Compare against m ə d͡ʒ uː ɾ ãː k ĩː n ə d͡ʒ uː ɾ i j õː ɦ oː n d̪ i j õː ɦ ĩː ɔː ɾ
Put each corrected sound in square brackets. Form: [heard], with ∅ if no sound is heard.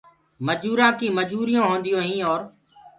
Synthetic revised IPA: m ə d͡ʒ uː ɾ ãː k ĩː [m] ə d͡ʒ uː ɾ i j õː ɦ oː n d̪ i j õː ɦ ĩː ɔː ɾ